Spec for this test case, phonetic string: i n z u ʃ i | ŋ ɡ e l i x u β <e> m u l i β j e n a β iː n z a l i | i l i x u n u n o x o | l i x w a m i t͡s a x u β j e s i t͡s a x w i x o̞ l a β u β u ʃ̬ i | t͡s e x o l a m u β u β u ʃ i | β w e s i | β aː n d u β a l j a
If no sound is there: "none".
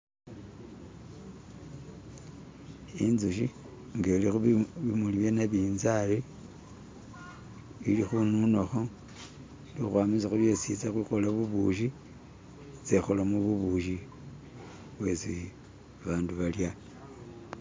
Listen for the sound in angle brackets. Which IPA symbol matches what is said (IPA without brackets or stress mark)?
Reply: i